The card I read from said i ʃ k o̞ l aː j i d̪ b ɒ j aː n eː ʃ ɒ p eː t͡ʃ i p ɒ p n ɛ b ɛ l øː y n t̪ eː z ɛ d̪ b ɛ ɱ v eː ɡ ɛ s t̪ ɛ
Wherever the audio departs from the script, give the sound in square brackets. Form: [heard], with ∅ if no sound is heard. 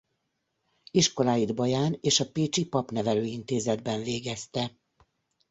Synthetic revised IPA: i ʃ k o̞ l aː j i d̪ b ɒ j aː n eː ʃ ɒ p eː t͡ʃ i p ɒ p n ɛ [v] ɛ l øː [i] n t̪ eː z ɛ d̪ b ɛ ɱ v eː ɡ ɛ s t̪ ɛ